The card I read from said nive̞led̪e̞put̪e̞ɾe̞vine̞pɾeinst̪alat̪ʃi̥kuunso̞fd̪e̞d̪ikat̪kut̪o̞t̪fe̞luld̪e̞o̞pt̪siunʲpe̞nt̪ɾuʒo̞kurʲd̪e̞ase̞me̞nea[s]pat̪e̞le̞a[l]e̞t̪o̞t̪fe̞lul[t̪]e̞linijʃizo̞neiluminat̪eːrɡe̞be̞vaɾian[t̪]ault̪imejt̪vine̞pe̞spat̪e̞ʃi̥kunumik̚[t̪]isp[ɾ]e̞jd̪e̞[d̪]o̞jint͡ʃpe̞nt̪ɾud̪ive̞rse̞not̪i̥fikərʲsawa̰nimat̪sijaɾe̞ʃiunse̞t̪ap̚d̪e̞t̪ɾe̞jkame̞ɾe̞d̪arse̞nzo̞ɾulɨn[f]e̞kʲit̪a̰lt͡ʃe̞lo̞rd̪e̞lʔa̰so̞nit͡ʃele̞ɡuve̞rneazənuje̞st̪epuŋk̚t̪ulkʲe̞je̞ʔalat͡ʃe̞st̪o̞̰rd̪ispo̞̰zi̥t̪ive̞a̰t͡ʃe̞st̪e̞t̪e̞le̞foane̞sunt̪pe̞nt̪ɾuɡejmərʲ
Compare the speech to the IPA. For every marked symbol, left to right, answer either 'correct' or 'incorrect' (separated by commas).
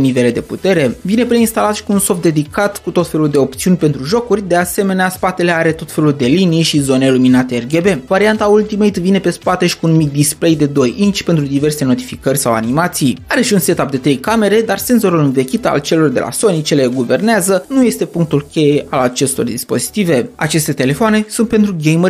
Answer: correct, incorrect, incorrect, correct, incorrect, incorrect, correct, incorrect